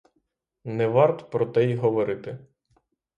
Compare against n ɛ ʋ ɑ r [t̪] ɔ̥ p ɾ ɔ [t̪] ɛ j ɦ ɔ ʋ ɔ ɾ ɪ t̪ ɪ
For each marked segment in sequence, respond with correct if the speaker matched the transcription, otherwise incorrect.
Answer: correct, correct

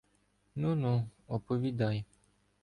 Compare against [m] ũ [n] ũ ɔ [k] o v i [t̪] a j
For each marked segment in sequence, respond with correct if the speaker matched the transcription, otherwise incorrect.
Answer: incorrect: n, correct, incorrect: p, incorrect: d̪

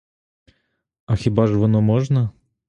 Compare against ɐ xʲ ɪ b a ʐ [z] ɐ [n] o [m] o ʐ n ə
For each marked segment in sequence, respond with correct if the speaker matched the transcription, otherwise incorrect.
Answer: incorrect: v, correct, correct

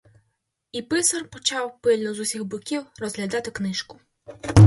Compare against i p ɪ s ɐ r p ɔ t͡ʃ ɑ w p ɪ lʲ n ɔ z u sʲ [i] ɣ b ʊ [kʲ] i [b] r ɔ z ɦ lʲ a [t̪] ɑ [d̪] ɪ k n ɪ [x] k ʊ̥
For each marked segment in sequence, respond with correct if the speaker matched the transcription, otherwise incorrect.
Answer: correct, correct, incorrect: w, incorrect: d̪, incorrect: t̪, incorrect: ʃ

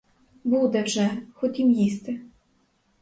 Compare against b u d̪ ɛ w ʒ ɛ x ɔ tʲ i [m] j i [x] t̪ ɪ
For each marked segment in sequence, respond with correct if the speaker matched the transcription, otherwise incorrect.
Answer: correct, incorrect: s

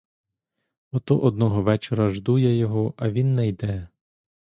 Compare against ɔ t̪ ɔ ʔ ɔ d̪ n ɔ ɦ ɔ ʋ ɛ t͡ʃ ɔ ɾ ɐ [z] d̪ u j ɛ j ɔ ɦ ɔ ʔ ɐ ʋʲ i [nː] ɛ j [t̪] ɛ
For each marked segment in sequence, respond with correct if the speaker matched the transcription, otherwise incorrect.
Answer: incorrect: ʒ, correct, incorrect: d̪

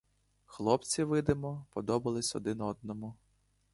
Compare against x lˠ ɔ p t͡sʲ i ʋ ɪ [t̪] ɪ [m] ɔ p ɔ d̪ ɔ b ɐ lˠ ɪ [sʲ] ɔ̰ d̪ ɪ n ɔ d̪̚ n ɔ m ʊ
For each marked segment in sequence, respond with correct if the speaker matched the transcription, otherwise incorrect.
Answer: incorrect: d̪, correct, correct

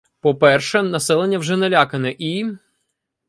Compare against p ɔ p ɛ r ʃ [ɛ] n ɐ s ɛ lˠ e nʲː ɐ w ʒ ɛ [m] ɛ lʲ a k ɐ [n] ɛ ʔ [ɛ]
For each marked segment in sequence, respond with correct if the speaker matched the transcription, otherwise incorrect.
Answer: correct, incorrect: n, correct, incorrect: i

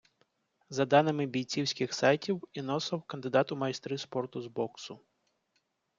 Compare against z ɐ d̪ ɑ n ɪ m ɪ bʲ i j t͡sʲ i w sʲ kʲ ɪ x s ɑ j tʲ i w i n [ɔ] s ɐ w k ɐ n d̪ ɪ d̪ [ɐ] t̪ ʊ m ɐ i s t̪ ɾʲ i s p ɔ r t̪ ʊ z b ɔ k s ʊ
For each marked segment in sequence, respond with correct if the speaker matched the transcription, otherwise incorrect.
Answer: correct, incorrect: ɑ

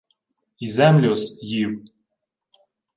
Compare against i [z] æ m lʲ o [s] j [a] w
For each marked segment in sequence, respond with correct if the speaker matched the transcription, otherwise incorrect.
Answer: correct, correct, incorrect: i

